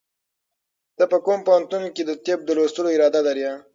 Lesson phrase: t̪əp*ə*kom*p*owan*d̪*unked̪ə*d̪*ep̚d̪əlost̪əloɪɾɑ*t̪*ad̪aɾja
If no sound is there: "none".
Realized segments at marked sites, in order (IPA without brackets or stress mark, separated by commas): ə, p, t̪, t̪, d̪